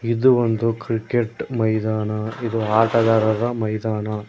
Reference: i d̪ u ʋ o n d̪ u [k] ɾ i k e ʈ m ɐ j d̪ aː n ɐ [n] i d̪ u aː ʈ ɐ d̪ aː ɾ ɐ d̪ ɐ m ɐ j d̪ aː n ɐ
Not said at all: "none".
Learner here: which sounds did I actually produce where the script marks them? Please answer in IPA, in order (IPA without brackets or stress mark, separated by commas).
k, none